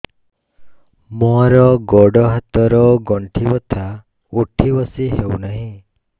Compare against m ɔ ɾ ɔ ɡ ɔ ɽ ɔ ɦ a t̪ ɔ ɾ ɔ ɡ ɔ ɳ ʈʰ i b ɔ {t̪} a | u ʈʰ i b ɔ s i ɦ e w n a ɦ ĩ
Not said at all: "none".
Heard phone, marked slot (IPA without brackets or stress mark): t̪ʰ